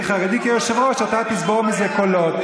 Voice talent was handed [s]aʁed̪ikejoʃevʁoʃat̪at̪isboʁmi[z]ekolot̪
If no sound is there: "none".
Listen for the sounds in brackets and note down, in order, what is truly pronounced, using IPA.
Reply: χ, z

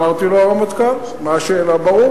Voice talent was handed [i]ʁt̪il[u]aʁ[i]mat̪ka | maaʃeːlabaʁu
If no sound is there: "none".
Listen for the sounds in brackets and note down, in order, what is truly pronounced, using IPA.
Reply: a, o, a

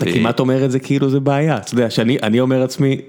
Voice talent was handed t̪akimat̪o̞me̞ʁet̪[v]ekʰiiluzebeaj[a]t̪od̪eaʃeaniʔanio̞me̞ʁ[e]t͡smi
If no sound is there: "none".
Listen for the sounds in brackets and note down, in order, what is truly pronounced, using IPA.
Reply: z, a, a

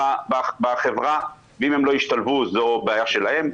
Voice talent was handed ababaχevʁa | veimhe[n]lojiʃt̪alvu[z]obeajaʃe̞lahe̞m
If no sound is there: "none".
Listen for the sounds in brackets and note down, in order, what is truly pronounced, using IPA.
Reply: m, z

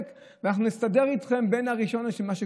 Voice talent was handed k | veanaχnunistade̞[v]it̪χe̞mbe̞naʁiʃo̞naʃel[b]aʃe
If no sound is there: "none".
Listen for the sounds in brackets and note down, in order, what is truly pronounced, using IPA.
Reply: ʁ, m

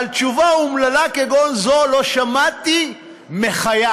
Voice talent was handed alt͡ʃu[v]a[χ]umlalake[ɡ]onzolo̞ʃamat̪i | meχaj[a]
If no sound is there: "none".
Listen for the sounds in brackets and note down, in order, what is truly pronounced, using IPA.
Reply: v, none, ɡ, a

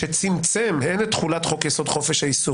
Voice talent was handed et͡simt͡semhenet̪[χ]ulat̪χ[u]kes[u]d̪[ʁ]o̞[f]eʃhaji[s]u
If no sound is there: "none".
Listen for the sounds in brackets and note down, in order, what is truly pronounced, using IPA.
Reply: χ, o, o, χ, f, s

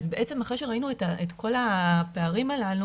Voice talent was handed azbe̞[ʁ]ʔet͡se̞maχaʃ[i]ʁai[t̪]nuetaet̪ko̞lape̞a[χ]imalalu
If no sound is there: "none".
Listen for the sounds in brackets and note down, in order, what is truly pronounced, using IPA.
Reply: none, e, none, ʁ

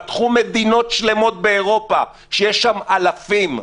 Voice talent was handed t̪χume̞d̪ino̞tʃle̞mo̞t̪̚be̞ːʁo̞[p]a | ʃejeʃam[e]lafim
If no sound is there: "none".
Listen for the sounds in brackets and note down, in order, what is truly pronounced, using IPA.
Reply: p, a

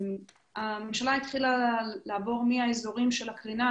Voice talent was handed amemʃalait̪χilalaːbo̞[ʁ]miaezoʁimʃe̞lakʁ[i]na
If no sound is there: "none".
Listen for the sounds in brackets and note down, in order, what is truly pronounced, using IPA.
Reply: ʁ, i

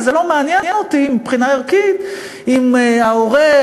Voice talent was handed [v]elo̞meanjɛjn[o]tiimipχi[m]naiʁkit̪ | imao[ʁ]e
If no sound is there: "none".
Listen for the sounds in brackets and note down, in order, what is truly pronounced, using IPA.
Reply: z, o, none, ʁ

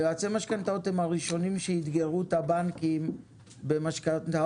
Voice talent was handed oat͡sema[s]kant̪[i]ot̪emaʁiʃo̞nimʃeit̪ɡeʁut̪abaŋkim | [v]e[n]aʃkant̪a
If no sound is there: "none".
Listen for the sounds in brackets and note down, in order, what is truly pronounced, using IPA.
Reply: ʃ, a, b, m

